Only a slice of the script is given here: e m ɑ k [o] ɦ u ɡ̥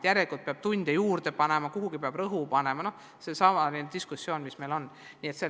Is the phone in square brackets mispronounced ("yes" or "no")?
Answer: yes